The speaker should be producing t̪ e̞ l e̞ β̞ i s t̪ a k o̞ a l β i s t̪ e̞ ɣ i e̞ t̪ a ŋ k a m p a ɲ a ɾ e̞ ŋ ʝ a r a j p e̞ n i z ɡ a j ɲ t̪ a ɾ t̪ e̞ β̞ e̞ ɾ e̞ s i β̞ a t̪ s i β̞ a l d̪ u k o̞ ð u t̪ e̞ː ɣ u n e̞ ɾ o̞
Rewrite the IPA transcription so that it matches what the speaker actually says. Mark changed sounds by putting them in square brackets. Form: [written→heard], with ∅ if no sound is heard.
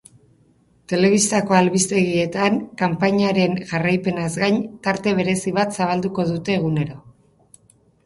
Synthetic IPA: t̪ e̞ l e̞ β̞ i s t̪ a k o̞ a l β i s t̪ e̞ ɣ i e̞ t̪ a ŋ k a m p a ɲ a ɾ e̞ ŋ ʝ a r a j p e̞ n [i→a] z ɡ a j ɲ t̪ a ɾ t̪ e̞ β̞ e̞ ɾ e̞ s i β̞ a t̪ s [i→a] β̞ a l d̪ u k o̞ ð u t̪ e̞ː ɣ u n e̞ ɾ o̞

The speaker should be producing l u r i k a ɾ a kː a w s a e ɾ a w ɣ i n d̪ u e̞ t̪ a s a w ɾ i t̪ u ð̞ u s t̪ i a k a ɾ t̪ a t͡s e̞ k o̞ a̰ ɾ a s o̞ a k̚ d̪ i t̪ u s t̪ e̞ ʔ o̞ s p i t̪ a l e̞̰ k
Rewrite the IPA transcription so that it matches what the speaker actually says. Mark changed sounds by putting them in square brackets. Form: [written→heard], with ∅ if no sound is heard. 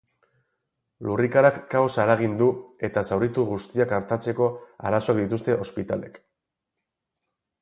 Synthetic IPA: l u r i k a ɾ a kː a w s a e ɾ a [w→∅] ɣ i n d̪ u e̞ t̪ a s a w ɾ i t̪ u [ð̞→ɣ̞] u s t̪ i a k a ɾ t̪ a t͡s e̞ k o̞ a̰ ɾ a s o̞ a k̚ d̪ i t̪ u s t̪ e̞ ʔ o̞ s p i t̪ a l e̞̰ k

